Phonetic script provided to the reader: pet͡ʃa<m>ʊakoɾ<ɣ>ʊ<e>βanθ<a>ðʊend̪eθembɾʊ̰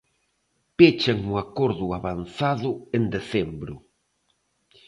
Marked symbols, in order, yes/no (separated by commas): no, no, no, yes